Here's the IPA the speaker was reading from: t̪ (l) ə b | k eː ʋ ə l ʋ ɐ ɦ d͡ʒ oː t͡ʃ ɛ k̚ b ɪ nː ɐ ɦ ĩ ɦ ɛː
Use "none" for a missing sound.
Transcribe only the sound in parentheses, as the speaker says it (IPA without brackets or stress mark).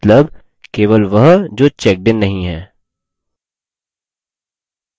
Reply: l